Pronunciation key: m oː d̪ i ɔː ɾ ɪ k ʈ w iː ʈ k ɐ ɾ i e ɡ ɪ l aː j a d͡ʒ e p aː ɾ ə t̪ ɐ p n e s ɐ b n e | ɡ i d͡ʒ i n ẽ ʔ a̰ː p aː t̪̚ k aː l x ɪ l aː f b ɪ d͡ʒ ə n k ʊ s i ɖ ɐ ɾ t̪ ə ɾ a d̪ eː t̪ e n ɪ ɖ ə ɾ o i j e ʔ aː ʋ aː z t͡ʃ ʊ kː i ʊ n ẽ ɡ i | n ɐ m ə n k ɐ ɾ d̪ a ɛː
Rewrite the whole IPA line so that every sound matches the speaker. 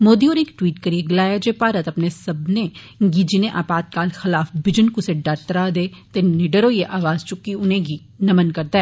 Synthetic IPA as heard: m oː d̪ i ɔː ɾ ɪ k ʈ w iː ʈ k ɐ ɾ i e ɡ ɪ l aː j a d͡ʒ e p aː ɾ ə t̪ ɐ p n e s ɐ b n e | ɡ i d͡ʒ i n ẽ ʔ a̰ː p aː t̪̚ k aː l x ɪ l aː f b ɪ d͡ʒ ə n k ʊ s e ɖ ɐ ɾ t̪ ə ɾ a d̪ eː t̪ e n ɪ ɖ ə ɾ o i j e ʔ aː ʋ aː z t͡ʃ ʊ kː i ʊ n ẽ ɡ i | n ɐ m ə n k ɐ ɾ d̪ a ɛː